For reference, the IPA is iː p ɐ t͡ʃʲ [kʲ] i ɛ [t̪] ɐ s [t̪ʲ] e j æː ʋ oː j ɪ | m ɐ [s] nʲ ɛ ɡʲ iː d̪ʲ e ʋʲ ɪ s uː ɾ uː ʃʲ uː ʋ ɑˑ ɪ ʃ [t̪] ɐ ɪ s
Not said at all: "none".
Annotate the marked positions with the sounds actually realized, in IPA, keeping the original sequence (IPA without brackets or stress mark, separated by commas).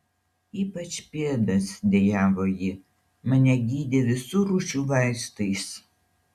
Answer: pʲ, d̪, d̪ʲ, none, t̪